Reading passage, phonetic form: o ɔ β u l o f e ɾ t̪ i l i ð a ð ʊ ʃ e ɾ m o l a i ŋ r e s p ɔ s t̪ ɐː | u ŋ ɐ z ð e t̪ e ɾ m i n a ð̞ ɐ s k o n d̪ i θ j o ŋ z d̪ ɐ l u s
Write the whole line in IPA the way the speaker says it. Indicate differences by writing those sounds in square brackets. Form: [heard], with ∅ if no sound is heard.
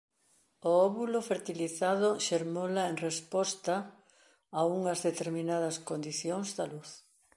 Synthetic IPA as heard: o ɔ β u l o f e ɾ t̪ i l i [θ] a ð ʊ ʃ e ɾ m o l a [e] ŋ r e s p ɔ s t̪ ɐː | u ŋ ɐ z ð e t̪ e ɾ m i n a ð̞ ɐ s k o n d̪ i θ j o ŋ z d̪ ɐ l u [θ]